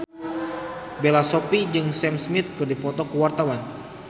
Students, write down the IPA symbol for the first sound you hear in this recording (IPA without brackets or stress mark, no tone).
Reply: b